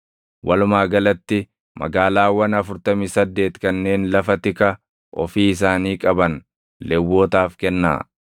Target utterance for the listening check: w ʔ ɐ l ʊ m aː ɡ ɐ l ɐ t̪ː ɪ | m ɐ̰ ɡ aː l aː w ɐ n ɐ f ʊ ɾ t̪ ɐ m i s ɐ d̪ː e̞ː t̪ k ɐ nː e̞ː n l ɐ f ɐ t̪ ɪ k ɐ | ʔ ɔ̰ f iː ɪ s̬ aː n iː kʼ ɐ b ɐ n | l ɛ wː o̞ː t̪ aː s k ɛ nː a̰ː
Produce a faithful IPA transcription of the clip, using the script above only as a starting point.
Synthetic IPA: w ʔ ɐ l ʊ m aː ɡ ɐ l ɐ t̪ː ɪ | m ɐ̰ ɡ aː l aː w ɐ n ɐ f ʊ ɾ t̪ ɐ m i s ɐ d̪ː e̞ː t̪ k ɐ nː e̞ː n l ɐ f ɐ t̪ ɪ k ɐ | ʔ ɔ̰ f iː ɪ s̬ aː n iː kʼ ɐ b ɐ n | l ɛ wː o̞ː t̪ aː f k ɛ nː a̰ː